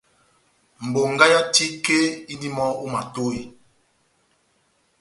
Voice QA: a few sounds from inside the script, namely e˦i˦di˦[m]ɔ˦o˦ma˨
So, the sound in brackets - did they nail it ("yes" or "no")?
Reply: yes